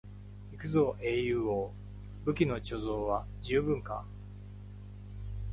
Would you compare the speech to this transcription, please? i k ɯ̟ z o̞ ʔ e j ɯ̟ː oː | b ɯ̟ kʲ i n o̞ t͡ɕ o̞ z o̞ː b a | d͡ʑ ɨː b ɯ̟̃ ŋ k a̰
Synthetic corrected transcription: i k ɯ̟ z o̞ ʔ e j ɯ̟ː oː | b ɯ̟ kʲ i n o̞ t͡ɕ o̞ z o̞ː β a | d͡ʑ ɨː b ɯ̟̃ ŋ k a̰